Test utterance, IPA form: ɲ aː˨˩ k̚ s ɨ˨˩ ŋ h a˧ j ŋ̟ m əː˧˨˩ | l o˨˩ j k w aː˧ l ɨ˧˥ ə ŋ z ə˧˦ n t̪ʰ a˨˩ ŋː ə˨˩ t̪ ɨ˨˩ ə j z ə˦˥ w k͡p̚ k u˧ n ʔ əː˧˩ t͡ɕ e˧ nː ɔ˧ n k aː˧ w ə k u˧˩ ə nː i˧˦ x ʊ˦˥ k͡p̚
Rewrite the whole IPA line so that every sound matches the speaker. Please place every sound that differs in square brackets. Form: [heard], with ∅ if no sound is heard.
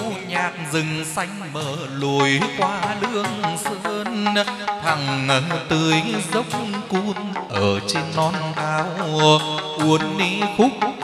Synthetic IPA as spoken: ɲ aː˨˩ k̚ [z] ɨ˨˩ ŋ [s] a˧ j ŋ̟ m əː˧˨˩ | l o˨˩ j k w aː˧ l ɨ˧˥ ə ŋ [s] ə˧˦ n t̪ʰ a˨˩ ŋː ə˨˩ t̪ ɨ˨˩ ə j z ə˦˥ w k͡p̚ k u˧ n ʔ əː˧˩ t͡ɕ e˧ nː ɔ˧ n k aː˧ w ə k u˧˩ ə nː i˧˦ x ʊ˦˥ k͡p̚